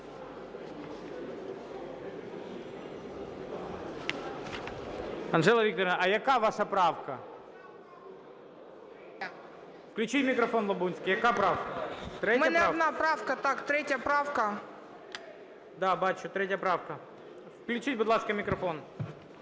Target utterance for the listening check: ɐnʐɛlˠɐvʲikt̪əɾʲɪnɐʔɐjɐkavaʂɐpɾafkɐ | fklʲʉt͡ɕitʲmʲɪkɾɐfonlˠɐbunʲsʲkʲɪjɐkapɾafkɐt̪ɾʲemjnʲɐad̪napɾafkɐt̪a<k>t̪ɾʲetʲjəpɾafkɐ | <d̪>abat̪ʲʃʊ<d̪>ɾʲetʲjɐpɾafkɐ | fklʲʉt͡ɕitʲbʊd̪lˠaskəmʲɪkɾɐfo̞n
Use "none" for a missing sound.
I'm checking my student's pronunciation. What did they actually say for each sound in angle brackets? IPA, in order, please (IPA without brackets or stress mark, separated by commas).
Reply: k, d̪, t̪